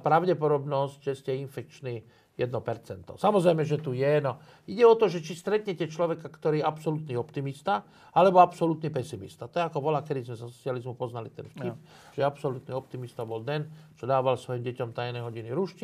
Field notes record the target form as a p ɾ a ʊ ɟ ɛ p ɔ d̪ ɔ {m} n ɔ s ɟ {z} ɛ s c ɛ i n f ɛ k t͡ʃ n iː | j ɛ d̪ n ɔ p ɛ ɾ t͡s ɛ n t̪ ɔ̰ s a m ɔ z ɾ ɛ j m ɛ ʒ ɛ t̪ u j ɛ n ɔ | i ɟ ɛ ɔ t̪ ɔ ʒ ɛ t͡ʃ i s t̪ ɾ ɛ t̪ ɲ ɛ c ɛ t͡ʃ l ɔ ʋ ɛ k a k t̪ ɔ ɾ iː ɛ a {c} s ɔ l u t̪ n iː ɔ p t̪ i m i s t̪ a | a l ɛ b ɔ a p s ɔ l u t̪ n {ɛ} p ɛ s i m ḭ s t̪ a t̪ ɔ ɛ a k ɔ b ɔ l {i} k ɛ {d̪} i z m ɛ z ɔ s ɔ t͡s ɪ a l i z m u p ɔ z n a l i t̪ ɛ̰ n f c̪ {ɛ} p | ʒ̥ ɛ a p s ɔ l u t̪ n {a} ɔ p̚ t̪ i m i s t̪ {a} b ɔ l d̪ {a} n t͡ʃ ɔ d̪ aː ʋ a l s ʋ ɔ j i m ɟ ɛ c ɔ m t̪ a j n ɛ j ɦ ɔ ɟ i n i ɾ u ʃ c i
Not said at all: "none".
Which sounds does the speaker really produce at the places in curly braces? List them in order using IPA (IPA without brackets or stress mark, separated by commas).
b, ʒ, p, i, a, d̪, i, i, a, ɛ